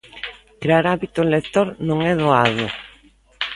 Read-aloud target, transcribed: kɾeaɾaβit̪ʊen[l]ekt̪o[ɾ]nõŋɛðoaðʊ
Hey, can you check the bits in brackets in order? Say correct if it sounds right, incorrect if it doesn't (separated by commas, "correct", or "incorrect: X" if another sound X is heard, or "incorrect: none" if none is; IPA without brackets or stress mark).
correct, correct